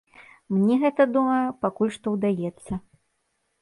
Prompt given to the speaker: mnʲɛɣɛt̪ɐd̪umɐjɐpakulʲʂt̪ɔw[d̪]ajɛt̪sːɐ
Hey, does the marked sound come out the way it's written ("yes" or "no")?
yes